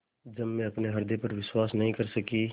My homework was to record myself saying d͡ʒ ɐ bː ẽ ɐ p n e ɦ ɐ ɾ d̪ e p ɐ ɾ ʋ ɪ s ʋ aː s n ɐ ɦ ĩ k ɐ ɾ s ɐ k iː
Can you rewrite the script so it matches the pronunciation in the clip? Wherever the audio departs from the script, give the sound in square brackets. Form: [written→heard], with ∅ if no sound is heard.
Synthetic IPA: d͡ʒ ɐ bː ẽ ɐ p n e ɦ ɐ ɾ d̪ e p ɐ ɾ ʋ ɪ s [ʋ→w] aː s n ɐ ɦ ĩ k ɐ ɾ s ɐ k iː